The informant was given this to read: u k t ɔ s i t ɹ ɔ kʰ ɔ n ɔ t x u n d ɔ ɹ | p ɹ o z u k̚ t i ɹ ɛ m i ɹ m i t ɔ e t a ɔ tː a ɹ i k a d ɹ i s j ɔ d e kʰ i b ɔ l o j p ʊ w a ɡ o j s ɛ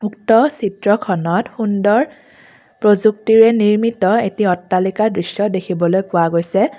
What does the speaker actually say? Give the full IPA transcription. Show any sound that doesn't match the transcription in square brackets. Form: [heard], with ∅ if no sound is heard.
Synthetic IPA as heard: u k t ɔ s i t ɹ ɔ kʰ ɔ n ɔ t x u n d ɔ ɹ | p ɹ o z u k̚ t i ɹ ɛ [n] i ɹ m i t ɔ e t [i] ɔ tː a [l] i k a d ɹ i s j ɔ d e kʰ i b ɔ l o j p ʊ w a ɡ o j s ɛ